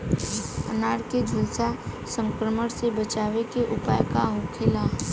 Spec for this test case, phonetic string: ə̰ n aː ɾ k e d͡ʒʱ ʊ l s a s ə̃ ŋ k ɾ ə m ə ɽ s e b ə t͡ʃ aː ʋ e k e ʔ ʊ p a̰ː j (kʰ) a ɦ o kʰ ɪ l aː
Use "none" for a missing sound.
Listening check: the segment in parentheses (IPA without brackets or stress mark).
k